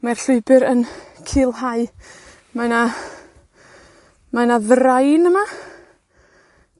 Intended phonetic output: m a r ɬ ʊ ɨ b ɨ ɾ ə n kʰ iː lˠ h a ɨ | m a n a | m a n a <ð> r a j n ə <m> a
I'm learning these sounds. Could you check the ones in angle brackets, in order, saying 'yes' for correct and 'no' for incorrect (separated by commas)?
yes, yes